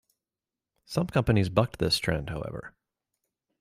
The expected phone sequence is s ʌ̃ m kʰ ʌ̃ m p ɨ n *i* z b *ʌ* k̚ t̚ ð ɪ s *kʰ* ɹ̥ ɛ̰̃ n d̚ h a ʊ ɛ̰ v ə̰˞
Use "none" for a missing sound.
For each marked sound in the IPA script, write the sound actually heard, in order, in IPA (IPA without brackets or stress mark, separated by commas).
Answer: i, ʌ, tʰ